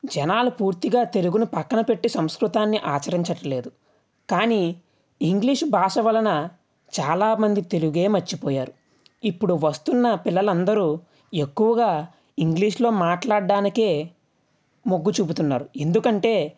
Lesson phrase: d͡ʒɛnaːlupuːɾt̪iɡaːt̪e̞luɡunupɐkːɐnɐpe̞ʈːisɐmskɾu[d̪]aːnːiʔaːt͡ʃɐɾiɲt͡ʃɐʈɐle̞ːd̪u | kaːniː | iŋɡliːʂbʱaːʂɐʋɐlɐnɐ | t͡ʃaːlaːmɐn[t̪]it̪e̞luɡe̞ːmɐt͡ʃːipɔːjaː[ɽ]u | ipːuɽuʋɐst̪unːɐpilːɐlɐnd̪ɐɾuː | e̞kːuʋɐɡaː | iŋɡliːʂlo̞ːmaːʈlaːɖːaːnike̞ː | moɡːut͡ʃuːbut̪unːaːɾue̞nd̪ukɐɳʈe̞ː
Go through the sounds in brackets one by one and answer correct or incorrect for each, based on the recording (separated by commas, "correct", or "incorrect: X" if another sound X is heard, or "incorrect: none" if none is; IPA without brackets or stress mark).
incorrect: t̪, incorrect: d̪, incorrect: ɾ